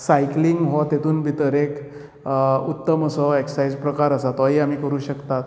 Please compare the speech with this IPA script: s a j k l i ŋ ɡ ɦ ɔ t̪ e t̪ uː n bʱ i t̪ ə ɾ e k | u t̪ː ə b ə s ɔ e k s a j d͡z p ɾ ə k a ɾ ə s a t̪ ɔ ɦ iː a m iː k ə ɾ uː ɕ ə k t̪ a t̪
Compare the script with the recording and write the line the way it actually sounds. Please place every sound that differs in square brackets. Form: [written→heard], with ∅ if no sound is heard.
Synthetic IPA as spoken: s a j k l i ŋ ɡ ɦ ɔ t̪ e t̪ uː n bʱ i t̪ ə ɾ e k | u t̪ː ə [b→m] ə s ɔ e k s a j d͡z p ɾ ə k a ɾ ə s a t̪ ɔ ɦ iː a m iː k ə ɾ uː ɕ ə k t̪ a t̪